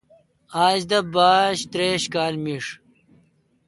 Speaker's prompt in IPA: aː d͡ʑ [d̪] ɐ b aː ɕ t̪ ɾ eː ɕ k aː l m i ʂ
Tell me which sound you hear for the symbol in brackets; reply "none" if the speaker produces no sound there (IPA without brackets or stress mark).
d̪